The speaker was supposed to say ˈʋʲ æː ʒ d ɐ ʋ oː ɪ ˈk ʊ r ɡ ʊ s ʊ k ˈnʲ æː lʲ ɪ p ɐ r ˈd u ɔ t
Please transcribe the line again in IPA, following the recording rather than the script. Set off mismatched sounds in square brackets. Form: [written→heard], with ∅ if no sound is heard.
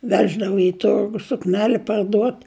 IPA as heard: ˈʋʲ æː ʒ d ɐ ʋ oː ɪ [ˈk→ˈt] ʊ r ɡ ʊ s ʊ k ˈnʲ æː lʲ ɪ p ɐ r ˈd u ɔ t